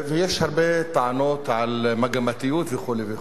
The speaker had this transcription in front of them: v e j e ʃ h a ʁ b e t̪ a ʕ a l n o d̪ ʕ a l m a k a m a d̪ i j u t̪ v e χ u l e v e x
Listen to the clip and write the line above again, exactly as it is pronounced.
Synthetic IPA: v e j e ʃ h a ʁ b e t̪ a ʕ a n o t̪ ʕ a l m a ɡ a m a t̪ i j u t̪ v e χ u l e v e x